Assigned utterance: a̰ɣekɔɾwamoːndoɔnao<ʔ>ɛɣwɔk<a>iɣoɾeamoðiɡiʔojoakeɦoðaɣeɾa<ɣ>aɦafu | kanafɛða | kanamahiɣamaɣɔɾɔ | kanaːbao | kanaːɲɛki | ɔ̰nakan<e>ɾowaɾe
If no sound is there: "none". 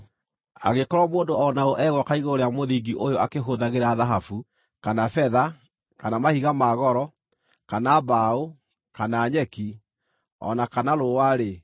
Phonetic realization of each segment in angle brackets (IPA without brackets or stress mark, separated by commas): ʔ, a, ð, a